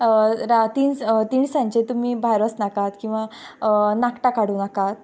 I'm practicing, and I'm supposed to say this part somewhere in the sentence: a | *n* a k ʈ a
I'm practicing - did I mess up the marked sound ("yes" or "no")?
no